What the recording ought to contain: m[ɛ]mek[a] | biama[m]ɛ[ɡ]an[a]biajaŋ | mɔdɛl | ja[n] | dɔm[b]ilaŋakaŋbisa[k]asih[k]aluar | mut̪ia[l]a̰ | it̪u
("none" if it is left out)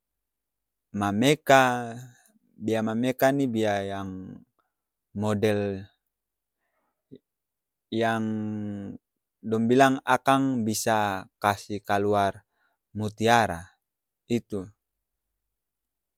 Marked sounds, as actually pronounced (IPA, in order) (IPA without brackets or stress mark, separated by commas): a, a, m, k, i, ŋ, b, k, k, ɾ